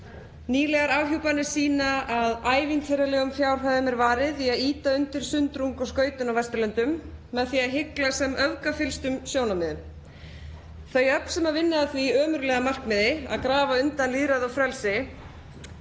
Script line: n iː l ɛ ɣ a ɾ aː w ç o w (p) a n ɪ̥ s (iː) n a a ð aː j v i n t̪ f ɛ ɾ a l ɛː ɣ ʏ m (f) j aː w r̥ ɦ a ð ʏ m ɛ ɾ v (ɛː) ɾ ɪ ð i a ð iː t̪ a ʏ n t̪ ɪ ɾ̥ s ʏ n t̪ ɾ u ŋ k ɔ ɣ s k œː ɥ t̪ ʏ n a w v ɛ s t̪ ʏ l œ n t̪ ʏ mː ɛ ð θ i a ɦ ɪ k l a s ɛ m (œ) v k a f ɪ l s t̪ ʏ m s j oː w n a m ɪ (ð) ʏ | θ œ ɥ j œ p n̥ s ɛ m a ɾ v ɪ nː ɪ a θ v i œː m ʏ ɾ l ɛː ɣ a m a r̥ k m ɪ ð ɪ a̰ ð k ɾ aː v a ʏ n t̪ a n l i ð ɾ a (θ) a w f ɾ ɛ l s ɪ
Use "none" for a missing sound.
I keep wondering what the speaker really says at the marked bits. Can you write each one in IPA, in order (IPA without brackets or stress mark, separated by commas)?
p, iː, f, aː, œ, ð, ð